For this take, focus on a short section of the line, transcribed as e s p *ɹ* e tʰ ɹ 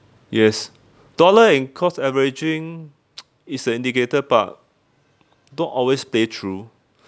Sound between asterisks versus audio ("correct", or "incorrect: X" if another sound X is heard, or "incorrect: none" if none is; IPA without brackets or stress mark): incorrect: l